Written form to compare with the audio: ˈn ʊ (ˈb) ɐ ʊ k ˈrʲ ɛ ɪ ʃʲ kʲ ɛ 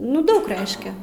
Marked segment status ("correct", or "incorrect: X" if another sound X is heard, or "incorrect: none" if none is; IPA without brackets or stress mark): incorrect: d